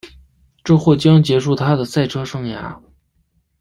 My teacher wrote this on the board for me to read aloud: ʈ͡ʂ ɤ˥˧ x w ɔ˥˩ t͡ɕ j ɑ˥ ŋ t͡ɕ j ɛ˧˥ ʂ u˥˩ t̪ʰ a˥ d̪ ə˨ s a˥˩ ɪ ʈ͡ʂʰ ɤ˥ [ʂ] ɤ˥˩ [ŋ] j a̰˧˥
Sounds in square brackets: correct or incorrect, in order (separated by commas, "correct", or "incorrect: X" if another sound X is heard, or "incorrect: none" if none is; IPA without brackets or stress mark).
correct, correct